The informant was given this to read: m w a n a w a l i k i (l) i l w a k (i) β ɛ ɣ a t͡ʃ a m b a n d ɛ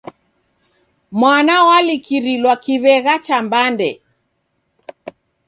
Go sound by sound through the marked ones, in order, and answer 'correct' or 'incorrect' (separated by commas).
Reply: incorrect, correct